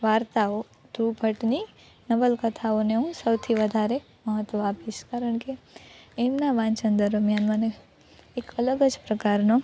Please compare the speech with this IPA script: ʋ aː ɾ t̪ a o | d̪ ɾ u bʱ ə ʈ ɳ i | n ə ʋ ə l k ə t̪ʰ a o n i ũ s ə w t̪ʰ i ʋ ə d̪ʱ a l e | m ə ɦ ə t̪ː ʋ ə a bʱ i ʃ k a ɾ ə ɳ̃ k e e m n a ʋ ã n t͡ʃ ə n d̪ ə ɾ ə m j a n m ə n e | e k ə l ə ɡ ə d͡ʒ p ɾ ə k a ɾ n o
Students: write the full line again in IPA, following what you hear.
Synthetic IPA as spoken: ʋ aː ɾ t̪ a o | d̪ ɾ u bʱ ə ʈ n i | n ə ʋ ə l k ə t̪ʰ a o n e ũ s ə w t̪ʰ i ʋ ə d̪ʱ a ɾ e | m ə ɦ ə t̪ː ʋ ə a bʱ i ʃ k a ɾ ə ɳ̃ k e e m n a ʋ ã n t͡ʃ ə n d̪ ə ɾ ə m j a n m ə n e | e k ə l ə ɡ ə d͡ʒ p ɾ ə k a ɾ n o